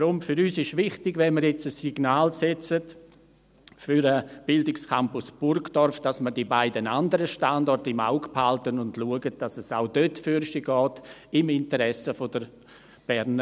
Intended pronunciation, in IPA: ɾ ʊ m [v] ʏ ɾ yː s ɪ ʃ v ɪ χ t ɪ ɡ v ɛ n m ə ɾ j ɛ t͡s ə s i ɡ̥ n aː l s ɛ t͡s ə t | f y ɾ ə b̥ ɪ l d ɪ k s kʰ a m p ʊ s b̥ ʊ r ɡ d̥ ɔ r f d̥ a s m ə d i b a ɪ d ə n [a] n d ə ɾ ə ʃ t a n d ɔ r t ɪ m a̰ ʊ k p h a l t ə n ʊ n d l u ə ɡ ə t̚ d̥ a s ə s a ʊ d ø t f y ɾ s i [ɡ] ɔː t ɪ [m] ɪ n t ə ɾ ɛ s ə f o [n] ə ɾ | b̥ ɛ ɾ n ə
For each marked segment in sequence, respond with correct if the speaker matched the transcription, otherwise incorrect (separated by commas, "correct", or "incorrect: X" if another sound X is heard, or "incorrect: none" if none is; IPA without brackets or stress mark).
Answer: incorrect: f, correct, correct, correct, incorrect: d